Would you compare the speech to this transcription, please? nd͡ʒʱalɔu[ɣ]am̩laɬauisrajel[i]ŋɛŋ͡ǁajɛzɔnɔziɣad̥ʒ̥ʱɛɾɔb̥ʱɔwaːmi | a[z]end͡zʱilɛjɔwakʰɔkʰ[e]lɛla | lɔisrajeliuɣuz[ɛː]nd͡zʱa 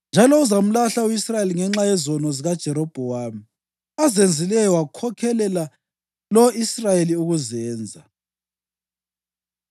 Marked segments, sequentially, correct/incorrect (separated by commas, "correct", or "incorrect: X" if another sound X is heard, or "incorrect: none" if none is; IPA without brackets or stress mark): incorrect: z, correct, correct, incorrect: ɛ, correct